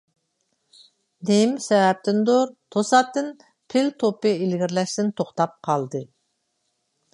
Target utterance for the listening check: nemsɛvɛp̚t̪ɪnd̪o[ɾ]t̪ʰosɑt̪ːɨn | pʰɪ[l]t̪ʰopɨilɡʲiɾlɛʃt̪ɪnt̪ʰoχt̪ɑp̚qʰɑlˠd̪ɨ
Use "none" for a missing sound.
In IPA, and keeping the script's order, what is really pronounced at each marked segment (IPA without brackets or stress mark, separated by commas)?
ɾ, l